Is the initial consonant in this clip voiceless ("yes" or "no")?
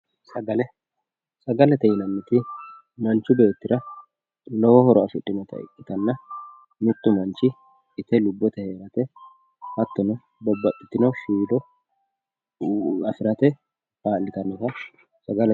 yes